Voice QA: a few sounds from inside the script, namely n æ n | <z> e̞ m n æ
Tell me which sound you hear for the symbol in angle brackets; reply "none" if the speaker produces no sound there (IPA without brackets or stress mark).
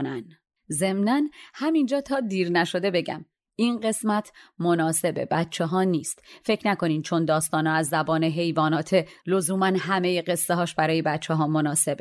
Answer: z